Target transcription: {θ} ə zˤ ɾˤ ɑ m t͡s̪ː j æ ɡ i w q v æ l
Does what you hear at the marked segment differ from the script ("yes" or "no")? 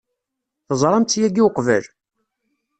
no